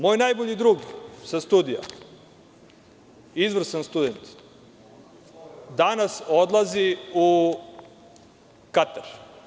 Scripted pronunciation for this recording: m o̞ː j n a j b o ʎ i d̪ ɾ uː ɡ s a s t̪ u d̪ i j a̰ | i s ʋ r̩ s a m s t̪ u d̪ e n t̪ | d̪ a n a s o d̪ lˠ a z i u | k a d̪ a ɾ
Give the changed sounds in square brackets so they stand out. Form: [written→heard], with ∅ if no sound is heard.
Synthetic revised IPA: m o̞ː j n a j b o ʎ i d̪ ɾ uː ɡ s a s t̪ u d̪ i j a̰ | i [s→z] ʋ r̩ s a [m→n] s t̪ u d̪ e n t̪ | d̪ a n a s o d̪ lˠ a z i u | k a [d̪→t̪] a ɾ